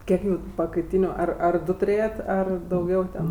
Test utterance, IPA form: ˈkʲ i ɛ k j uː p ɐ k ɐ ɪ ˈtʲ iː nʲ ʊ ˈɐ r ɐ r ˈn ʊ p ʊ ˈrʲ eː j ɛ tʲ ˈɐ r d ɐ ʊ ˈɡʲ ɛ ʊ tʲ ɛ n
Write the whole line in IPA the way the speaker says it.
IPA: ˈkʲ i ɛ k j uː p ɐ k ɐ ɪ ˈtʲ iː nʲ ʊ ˈɐ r ɐ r ˈd ʊ t ʊ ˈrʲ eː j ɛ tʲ ˈɐ r d ɐ ʊ ˈɡʲ ɛ ʊ tʲ ɛ n

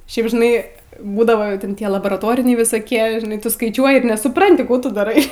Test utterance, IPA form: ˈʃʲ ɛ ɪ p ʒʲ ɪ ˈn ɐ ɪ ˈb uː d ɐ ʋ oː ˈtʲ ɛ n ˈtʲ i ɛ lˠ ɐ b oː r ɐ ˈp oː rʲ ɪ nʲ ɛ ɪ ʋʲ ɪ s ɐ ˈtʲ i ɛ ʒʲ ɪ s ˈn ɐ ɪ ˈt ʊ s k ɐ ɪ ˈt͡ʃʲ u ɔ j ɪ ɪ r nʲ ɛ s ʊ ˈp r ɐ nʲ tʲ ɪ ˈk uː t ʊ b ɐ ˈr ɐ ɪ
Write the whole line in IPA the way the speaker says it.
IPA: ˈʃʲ ɛ ɪ p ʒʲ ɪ ˈn ɐ ɪ ˈb uː d ɐ ʋ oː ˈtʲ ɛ n ˈtʲ i ɛ lˠ ɐ b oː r ɐ ˈt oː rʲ ɪ nʲ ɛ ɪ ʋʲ ɪ s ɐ ˈkʲ i ɛ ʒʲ ɪ ˈn ɐ ɪ ˈt ʊ s k ɐ ɪ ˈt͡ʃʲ u ɔ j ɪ ɪ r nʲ ɛ s ʊ ˈp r ɐ nʲ tʲ ɪ ˈk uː t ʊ d ɐ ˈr ɐ ɪ

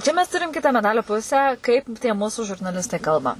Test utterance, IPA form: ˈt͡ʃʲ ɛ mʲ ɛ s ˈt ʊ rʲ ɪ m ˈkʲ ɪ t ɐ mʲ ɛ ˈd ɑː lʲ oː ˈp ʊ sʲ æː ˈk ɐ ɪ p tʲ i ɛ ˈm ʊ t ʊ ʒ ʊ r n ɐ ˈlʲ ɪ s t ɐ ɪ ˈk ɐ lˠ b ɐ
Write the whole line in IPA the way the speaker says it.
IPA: ˈt͡ʃʲ ɛ mʲ ɛ s ˈt ʊ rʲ ɪ m ˈkʲ ɪ t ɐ mʲ ɛ ˈd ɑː lʲ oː ˈp ʊ sʲ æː ˈk ɐ ɪ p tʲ i ɛ ˈm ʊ s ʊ ʒ ʊ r n ɐ ˈlʲ ɪ s t ɐ ɪ ˈk ɐ lˠ b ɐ

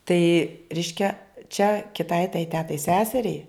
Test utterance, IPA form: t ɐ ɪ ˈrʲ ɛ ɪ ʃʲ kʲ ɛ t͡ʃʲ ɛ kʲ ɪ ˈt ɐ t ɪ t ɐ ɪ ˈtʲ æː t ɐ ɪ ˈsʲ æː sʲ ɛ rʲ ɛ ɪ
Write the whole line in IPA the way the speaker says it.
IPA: t ɐ ɪ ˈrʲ ɛ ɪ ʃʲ kʲ ɛ t͡ʃʲ ɛ kʲ ɪ ˈt ɐ ɪ t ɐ ɪ ˈtʲ æː t ɐ ɪ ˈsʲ æː sʲ ɛ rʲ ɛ ɪ

